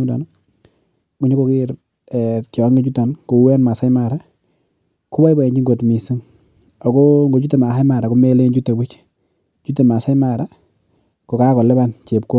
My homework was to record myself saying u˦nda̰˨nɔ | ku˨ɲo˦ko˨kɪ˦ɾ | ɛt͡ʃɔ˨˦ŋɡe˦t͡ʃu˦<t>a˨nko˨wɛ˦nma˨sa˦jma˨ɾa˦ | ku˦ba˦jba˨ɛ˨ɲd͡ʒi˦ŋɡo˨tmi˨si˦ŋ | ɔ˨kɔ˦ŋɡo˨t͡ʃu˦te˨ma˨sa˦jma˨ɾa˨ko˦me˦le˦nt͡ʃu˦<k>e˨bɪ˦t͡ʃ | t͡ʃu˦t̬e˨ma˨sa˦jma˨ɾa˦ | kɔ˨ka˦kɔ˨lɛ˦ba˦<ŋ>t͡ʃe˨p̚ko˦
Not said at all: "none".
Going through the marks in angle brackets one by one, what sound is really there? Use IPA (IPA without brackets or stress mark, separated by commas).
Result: t, t, n